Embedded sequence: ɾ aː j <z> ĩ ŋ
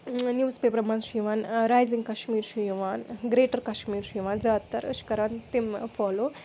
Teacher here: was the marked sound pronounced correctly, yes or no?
yes